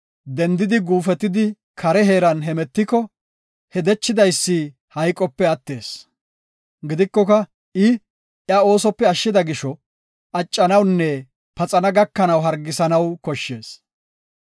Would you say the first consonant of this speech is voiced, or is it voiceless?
voiced